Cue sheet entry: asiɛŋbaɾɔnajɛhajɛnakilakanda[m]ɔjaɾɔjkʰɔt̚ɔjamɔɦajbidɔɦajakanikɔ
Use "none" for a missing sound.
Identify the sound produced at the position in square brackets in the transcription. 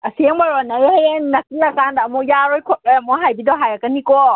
m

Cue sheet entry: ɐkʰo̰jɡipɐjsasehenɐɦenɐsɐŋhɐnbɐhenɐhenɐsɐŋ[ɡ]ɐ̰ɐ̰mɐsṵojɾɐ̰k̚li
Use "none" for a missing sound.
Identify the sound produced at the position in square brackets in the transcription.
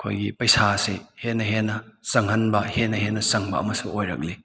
b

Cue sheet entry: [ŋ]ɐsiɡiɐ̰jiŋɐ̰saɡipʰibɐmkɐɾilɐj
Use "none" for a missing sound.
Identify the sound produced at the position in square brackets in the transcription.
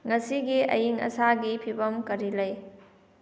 ŋ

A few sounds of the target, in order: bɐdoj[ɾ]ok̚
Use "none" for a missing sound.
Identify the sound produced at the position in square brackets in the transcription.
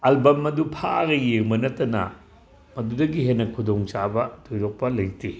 ɾ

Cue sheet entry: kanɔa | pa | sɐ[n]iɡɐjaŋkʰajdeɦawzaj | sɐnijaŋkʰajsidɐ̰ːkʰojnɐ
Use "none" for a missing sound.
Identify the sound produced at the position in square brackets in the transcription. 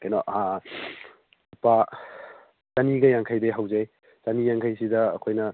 n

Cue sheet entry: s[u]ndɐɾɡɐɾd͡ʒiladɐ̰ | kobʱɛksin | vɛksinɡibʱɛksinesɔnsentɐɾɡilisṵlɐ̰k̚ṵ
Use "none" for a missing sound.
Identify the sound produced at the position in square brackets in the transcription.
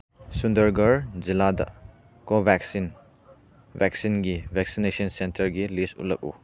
u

